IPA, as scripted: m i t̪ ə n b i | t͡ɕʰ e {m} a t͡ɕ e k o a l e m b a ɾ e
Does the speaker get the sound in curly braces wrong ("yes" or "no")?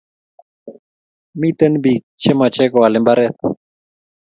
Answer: no